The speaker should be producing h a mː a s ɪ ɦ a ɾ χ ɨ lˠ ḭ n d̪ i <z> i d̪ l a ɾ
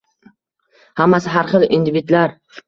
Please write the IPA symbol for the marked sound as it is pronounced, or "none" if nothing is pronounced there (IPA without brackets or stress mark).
v